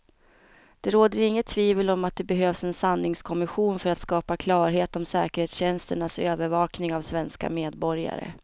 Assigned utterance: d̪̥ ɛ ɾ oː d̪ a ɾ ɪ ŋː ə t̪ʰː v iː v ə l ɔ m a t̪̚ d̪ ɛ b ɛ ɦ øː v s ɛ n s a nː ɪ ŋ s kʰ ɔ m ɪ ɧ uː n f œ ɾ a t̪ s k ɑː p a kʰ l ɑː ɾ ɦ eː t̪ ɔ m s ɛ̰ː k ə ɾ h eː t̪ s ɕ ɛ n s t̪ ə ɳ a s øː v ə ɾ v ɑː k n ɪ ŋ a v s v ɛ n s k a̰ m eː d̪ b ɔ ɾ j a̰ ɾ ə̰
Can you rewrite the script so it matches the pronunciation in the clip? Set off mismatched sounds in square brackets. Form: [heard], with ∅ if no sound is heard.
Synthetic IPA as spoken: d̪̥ ɛ ɾ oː d̪ [ə] ɾ ɪ ŋː ə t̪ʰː v iː v ə l ɔ m a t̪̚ d̪ ɛ b ɛ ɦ øː v s ɛ n s a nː ɪ ŋ s kʰ ɔ m ɪ ɧ uː n f œ ɾ a t̪ s k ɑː p a kʰ l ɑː ɾ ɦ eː t̪ ɔ m s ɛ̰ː k ə ɾ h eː t̪ s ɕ ɛ n s t̪ ə ɳ a s øː v ə ɾ v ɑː k n ɪ ŋ a v s v ɛ n s k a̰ m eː d̪ b ɔ ɾ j a̰ ɾ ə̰